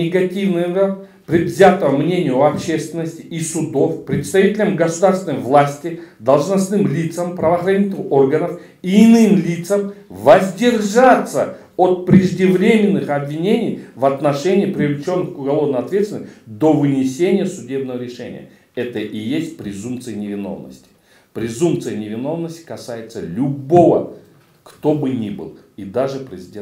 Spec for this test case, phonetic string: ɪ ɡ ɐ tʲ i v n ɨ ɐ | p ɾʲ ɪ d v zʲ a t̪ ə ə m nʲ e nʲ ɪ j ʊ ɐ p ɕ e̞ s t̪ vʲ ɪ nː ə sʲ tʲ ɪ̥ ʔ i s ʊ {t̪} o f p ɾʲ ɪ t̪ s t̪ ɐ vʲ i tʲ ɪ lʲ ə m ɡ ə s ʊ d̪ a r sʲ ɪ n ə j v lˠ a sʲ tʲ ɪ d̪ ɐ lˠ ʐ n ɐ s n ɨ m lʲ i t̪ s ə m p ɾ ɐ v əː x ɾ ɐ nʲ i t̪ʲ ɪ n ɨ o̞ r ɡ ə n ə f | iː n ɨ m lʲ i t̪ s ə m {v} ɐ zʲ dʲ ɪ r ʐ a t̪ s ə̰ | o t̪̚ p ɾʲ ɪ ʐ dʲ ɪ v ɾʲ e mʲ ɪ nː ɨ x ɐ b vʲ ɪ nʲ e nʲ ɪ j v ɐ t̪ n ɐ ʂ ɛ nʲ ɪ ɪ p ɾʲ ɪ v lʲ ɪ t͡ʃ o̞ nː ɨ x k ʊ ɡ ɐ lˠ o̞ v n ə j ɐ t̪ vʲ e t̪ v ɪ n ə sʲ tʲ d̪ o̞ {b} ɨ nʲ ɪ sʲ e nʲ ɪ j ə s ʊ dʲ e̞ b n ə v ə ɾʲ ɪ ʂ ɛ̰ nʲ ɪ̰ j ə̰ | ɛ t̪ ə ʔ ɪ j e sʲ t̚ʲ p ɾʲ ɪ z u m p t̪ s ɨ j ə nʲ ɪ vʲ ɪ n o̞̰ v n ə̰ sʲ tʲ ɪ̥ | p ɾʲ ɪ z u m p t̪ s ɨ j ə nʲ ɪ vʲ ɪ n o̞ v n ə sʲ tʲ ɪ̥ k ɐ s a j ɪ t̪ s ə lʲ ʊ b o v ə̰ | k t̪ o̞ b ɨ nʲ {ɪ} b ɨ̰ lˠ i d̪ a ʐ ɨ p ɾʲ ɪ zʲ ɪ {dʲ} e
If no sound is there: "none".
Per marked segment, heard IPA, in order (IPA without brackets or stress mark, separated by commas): d̪, v, v, i, dʲ